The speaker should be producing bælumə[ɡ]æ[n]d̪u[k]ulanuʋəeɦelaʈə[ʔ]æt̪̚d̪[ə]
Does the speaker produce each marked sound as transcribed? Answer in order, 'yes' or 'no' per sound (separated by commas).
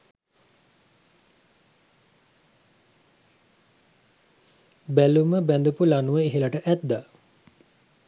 no, yes, no, yes, no